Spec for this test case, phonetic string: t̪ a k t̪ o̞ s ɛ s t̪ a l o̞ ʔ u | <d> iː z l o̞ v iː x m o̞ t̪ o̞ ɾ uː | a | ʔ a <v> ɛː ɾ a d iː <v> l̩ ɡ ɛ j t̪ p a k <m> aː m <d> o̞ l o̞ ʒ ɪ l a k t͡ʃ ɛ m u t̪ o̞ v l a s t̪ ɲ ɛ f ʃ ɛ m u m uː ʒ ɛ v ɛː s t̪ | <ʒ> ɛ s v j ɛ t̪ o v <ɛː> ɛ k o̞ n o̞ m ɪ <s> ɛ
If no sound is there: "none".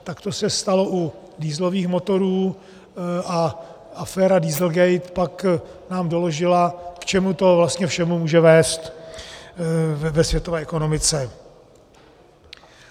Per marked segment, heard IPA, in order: d, f, z, n, d, v, ɛː, t͡s

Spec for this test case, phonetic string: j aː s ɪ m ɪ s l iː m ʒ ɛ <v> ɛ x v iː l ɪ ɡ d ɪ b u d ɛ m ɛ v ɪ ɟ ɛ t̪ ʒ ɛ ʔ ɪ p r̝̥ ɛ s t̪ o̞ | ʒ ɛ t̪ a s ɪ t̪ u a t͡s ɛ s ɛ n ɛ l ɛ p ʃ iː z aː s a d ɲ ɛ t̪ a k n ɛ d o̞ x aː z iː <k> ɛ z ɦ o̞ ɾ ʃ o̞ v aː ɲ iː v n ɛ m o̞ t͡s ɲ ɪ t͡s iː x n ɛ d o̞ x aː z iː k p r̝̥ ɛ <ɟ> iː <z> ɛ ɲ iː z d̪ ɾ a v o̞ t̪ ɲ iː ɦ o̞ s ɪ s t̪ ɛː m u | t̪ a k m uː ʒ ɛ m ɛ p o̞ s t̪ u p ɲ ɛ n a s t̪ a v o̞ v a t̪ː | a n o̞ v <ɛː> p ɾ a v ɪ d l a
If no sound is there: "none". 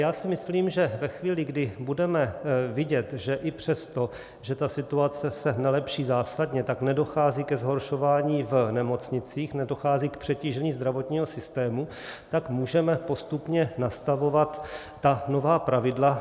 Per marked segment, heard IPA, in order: v, k, c, ʒ, aː

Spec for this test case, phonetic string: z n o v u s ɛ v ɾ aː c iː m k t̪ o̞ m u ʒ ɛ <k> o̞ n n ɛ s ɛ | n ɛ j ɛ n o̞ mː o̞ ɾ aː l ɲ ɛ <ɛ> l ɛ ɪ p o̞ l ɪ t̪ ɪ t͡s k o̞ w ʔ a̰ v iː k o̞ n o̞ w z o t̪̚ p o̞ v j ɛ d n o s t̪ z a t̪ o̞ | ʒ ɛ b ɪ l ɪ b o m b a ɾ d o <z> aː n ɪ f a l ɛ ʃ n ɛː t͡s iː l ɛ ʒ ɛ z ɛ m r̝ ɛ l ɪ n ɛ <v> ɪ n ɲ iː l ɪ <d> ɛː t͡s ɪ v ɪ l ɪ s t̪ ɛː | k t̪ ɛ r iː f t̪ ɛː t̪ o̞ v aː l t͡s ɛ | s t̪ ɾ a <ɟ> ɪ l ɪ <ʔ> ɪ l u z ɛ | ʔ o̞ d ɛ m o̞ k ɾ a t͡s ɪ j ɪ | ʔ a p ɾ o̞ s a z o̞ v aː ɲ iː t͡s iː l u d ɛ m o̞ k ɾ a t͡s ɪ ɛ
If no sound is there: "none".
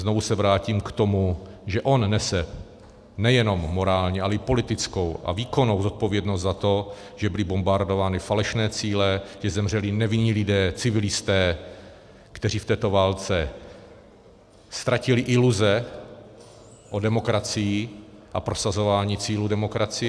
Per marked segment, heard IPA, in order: ʔ, a, v, v, d, c, ʔ

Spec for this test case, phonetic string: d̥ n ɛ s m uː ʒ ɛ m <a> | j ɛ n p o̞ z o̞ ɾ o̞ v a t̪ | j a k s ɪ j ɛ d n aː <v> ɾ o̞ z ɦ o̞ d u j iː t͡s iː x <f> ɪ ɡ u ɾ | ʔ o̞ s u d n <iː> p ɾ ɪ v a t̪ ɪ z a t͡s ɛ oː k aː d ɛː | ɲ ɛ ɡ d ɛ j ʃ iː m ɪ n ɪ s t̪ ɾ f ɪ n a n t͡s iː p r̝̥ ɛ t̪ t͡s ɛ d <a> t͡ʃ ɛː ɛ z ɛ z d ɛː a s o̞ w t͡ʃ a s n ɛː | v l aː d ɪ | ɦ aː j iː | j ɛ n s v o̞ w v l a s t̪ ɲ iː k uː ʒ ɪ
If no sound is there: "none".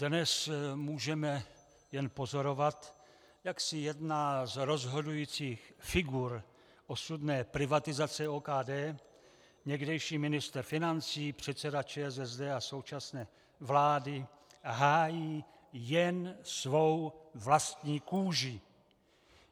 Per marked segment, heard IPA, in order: ɛ, z, f, ɛː, a

